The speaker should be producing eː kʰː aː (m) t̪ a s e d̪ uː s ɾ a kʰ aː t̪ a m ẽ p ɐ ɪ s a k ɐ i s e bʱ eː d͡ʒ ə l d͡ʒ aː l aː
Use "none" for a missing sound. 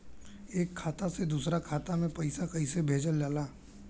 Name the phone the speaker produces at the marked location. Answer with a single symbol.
none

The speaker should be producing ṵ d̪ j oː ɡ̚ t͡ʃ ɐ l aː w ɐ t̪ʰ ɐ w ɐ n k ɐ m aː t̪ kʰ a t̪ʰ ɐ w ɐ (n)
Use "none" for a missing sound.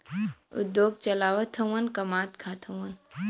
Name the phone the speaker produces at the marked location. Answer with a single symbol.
n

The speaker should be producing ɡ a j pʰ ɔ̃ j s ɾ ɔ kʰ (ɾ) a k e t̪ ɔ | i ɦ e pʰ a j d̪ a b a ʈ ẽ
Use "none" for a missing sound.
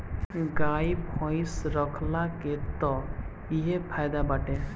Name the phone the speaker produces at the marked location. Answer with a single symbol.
l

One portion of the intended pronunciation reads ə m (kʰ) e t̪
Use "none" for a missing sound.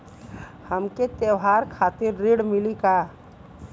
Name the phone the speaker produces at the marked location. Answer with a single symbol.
k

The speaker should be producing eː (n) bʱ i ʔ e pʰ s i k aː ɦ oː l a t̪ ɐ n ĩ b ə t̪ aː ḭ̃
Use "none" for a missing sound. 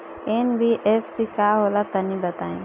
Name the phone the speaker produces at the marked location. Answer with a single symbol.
n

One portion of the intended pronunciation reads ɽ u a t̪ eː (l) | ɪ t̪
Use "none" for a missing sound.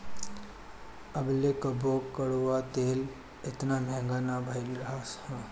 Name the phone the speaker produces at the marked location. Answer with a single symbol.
l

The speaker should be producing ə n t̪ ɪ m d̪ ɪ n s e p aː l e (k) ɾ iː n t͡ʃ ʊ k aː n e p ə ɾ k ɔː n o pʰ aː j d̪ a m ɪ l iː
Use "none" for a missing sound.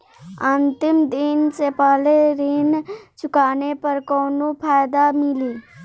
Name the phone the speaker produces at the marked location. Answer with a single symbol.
none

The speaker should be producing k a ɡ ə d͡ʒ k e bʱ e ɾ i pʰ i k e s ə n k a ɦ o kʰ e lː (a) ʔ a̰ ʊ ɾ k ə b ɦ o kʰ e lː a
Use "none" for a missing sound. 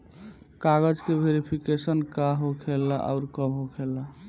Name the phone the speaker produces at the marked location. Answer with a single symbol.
a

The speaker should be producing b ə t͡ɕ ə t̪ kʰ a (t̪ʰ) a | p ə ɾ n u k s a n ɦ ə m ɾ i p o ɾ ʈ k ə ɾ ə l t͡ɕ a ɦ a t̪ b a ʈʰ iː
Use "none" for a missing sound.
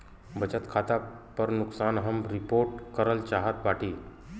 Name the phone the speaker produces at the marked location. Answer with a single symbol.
t̪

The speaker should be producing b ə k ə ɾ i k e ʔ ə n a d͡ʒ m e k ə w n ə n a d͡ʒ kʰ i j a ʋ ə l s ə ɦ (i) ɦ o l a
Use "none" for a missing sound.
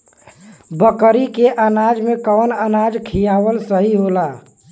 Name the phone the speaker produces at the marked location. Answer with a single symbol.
i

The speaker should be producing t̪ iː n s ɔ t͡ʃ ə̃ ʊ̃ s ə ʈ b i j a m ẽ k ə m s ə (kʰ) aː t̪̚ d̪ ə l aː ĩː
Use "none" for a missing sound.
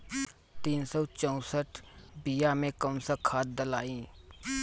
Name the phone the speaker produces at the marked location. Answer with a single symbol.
kʰ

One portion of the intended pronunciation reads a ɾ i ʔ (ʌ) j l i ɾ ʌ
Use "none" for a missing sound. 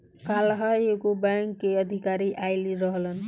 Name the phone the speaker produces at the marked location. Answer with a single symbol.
a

